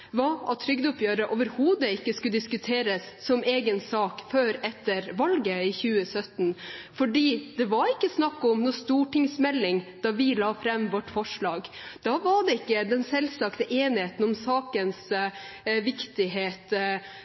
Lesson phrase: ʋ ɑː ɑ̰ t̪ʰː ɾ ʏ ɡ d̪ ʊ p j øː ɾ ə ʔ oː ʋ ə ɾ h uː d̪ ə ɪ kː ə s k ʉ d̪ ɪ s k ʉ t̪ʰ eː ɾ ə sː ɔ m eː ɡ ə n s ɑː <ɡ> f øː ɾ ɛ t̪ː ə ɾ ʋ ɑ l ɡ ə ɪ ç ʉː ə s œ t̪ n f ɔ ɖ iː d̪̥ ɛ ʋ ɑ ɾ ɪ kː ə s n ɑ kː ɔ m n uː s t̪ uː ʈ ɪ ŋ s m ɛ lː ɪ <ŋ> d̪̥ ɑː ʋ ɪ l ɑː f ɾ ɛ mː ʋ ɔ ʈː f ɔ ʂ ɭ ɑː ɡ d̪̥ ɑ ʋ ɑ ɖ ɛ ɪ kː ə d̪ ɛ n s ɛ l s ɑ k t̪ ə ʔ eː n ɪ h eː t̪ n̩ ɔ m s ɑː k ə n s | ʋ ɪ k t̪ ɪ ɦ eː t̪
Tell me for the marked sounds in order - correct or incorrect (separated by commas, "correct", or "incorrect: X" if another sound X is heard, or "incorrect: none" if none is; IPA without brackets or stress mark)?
incorrect: k, correct